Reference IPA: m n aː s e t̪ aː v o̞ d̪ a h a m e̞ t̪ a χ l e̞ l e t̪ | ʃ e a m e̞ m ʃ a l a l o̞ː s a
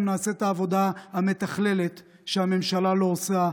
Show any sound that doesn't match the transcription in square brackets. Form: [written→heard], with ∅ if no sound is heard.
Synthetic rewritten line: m n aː s e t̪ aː v o̞ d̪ a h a m e̞ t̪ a χ l e̞ l e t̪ | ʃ e a m e̞ m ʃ a l a l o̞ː s a